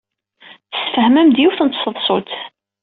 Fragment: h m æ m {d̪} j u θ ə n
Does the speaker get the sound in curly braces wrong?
no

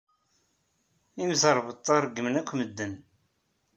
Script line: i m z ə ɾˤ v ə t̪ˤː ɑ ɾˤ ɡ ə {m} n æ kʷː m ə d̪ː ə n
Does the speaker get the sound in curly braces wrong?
no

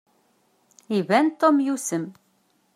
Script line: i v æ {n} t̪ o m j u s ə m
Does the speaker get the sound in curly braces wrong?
no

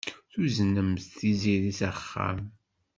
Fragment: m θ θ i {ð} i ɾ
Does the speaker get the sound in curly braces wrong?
yes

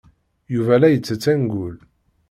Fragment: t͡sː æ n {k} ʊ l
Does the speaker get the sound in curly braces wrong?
yes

